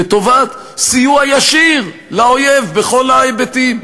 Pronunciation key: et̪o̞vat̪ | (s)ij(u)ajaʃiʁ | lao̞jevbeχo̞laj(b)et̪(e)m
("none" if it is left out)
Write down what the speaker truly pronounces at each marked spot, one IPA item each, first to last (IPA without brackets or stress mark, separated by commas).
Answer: s, u, b, i